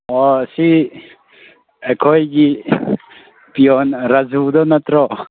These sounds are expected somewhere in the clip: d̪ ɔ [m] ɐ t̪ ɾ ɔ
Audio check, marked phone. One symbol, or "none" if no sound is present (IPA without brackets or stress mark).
n